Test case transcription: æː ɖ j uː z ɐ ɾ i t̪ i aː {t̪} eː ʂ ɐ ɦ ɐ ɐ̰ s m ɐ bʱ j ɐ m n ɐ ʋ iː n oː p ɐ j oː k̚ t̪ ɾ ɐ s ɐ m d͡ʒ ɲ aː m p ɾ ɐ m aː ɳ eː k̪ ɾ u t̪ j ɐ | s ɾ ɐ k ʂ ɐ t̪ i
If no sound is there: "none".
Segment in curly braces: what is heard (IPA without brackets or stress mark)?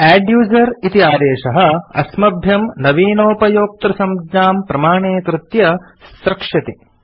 d̪